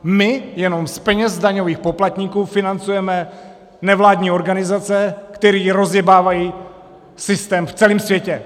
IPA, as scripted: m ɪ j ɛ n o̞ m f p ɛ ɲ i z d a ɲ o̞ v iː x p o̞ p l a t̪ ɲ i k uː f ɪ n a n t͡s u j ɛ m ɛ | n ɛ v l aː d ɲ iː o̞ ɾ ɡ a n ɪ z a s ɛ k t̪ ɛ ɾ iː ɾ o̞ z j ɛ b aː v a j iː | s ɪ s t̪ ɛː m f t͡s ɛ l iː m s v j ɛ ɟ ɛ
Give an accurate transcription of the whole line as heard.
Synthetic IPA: m ɪ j ɛ n o̞ m s p ɛ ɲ ɛ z d a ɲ o̞ v iː x p o̞ p l a t̪ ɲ i k uː f ɪ n a n t͡s u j ɛ m ɛ | n ɛ v l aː d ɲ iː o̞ ɾ ɡ a n ɪ z a t͡s ɛ k t̪ ɛ ɾ iː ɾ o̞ z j ɛ b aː v a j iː | s ɪ s t̪ ɛː m f t͡s ɛ l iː m s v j ɛ c ɛ